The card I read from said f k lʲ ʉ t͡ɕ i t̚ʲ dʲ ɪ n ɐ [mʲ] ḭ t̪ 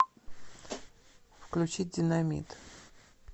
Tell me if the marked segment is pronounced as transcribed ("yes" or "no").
yes